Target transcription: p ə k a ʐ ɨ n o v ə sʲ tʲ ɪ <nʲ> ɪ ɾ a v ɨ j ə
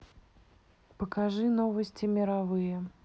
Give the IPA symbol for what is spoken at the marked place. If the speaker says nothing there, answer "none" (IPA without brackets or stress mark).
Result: mʲ